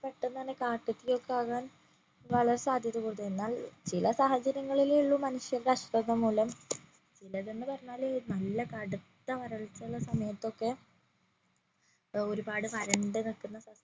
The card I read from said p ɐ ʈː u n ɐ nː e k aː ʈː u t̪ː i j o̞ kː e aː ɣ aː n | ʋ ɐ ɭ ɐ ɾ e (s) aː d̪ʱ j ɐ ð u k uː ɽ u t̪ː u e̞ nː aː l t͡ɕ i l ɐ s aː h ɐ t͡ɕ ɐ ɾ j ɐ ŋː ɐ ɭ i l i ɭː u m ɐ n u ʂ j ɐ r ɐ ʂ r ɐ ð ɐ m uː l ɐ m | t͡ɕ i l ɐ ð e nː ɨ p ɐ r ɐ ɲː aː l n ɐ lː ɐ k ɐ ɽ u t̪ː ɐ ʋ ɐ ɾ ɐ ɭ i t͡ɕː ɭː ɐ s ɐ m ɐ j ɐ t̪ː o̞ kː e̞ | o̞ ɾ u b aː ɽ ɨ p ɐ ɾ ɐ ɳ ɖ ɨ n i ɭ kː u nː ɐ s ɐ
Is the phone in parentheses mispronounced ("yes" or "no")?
no